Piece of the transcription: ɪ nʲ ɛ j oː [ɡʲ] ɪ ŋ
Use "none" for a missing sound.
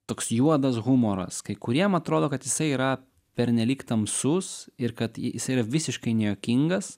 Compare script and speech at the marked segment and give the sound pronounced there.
kʲ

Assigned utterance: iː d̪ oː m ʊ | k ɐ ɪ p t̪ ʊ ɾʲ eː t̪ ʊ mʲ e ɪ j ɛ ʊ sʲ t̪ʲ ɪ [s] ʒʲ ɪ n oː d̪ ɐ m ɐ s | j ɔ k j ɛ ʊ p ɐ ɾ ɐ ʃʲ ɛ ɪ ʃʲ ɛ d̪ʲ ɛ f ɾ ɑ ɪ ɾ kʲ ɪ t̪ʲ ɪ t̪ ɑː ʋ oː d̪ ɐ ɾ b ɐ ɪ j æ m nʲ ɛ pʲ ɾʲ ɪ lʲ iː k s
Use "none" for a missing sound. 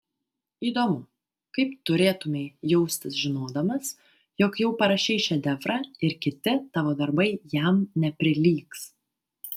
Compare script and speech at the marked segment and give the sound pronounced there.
s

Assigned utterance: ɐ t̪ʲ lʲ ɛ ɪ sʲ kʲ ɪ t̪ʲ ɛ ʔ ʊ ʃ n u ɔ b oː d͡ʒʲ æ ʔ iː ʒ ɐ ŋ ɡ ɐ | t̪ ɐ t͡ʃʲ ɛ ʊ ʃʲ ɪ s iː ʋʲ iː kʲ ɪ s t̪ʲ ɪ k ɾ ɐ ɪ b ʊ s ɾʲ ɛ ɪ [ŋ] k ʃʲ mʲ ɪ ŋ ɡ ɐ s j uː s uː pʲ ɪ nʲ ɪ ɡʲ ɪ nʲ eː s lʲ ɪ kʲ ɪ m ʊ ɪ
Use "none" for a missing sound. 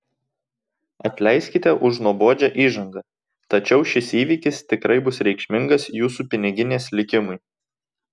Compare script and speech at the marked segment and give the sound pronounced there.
none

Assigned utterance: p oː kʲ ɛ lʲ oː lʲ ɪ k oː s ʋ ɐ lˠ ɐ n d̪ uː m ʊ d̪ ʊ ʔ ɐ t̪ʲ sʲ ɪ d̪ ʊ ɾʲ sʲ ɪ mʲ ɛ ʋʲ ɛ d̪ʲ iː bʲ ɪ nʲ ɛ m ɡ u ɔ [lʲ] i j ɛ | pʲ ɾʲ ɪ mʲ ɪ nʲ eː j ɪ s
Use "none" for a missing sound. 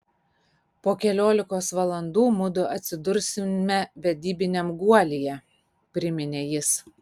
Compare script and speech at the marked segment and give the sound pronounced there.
lʲ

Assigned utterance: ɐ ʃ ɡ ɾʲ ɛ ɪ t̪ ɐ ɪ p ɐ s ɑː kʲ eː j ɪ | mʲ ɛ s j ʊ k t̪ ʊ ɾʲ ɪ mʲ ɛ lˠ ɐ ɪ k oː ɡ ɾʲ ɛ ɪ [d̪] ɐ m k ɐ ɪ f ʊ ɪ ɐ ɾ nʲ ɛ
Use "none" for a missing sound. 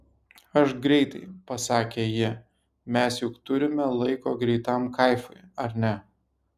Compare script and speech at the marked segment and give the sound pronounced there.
t̪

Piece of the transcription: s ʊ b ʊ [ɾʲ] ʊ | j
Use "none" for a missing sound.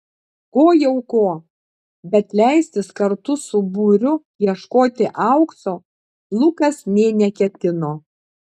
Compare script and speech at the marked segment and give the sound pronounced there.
ɾʲ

